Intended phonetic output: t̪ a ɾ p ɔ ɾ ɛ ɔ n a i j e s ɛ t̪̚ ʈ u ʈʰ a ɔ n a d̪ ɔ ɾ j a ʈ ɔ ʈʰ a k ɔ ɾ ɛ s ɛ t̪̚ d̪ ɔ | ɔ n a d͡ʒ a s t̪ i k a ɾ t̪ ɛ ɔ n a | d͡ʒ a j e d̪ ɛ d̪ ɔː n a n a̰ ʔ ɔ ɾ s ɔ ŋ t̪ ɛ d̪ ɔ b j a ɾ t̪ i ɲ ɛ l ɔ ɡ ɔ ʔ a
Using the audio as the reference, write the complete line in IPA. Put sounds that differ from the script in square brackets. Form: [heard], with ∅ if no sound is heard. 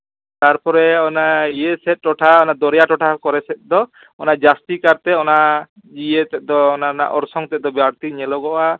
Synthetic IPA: t̪ a ɾ p ɔ ɾ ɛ ɔ n a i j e s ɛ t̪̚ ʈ [ɔ] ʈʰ a ɔ n a d̪ ɔ ɾ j a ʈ ɔ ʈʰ a k ɔ ɾ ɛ s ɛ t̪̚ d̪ ɔ | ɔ n a d͡ʒ a s t̪ i k a ɾ t̪ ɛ ɔ n a | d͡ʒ [i] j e [t̪] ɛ d̪ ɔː n a n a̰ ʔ ɔ ɾ s ɔ ŋ t̪ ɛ d̪ ɔ b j a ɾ t̪ i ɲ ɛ l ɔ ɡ ɔ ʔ a